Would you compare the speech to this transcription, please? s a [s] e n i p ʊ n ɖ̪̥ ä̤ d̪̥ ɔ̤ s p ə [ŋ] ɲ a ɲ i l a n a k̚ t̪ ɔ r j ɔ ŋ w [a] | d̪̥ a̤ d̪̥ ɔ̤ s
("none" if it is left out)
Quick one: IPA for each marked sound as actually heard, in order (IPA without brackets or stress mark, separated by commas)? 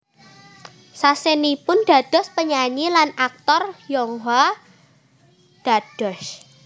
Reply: s, none, a